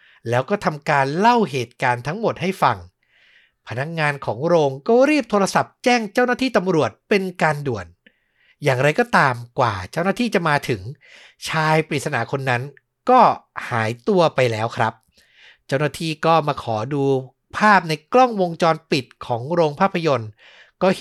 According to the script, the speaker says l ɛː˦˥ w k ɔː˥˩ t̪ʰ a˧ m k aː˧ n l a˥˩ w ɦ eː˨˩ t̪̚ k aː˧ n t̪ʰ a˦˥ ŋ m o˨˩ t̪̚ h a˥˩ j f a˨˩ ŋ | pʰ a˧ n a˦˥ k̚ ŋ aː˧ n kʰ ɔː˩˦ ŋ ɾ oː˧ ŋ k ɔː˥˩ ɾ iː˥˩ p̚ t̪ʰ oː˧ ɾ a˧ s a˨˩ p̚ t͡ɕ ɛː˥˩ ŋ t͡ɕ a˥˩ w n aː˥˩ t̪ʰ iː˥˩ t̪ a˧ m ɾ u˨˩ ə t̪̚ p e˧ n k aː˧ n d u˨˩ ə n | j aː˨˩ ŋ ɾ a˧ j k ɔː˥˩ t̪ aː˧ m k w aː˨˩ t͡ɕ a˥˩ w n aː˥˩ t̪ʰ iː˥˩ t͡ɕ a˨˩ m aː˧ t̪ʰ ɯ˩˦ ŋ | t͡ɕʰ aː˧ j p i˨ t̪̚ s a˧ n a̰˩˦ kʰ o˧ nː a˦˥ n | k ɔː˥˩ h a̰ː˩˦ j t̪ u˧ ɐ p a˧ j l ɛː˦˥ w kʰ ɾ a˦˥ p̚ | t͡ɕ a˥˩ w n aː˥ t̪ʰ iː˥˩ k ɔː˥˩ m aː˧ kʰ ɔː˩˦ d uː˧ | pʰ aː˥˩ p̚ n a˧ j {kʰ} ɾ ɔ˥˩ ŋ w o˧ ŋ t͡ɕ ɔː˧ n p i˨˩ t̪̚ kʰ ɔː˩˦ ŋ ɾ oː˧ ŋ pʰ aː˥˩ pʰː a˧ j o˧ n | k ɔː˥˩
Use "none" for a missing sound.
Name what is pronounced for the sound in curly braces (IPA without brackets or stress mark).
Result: k